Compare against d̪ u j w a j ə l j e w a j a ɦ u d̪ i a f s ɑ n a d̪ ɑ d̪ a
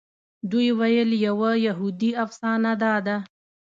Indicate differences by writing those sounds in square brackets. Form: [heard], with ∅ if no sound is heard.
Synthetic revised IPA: d̪ u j w a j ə l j [a] w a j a ɦ u d̪ i a f s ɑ n a d̪ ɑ d̪ a